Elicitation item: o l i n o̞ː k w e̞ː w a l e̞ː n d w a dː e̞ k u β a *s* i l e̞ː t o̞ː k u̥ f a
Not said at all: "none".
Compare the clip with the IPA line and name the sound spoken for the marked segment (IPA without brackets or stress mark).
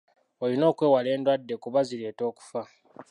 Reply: z